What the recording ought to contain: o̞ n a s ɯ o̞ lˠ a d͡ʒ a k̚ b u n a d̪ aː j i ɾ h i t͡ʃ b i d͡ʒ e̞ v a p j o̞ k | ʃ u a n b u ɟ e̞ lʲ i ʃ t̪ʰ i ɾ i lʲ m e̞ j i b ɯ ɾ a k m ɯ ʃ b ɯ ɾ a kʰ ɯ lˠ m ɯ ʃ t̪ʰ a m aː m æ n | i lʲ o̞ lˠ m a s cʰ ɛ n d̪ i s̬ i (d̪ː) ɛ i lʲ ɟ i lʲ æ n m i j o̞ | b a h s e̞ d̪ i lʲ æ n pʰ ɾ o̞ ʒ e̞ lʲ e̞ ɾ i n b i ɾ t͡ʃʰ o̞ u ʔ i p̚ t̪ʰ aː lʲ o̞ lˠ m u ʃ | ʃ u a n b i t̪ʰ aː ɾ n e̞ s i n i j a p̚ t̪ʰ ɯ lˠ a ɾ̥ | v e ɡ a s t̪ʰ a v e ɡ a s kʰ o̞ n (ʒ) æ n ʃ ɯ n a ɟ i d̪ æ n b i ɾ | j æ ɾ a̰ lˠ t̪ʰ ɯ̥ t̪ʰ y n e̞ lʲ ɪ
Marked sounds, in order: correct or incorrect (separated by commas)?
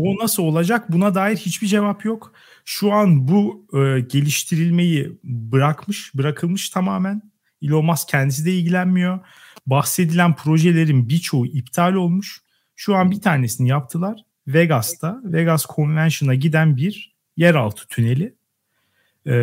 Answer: incorrect, incorrect